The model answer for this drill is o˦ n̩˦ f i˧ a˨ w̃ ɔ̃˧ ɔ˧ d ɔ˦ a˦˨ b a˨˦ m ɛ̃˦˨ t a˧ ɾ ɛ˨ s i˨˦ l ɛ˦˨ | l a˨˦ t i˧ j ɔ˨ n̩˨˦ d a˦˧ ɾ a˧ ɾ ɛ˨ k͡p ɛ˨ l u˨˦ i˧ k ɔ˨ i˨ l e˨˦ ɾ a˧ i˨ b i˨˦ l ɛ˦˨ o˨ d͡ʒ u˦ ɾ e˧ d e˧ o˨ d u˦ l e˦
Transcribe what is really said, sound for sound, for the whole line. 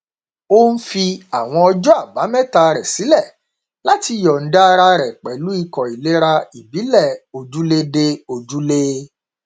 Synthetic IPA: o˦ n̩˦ f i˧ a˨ w̃ ɔ̃˧ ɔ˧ d͡ʒ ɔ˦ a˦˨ b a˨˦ m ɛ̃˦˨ t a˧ ɾ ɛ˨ s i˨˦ l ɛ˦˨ | l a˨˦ t i˧ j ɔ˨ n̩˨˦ d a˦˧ ɾ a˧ ɾ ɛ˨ k͡p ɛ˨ l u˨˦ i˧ k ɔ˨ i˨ l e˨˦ ɾ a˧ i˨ b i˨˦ l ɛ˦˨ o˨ d͡ʒ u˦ l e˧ d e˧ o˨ d͡ʒ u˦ l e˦